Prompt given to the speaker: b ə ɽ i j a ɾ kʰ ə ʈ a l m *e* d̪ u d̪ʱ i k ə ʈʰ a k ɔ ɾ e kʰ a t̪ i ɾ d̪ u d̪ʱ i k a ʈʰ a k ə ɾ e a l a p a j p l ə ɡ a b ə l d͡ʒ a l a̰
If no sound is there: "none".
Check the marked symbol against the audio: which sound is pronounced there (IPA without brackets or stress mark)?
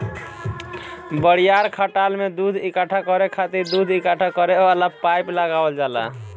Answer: e